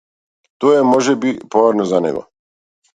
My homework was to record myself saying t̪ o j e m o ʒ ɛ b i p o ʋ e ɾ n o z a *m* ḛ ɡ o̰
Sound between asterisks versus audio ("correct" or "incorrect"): incorrect